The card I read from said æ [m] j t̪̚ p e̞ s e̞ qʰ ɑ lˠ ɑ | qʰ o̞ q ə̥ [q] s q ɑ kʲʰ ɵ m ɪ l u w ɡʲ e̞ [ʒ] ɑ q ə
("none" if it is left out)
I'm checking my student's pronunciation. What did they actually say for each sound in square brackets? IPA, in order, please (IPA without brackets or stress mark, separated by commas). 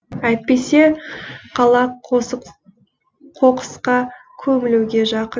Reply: none, none, ʒ